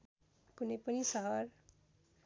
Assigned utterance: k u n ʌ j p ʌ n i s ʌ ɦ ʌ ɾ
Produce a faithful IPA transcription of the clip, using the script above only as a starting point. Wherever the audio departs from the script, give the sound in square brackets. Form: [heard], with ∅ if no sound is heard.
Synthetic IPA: k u n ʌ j p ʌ n i s ʌ ɦ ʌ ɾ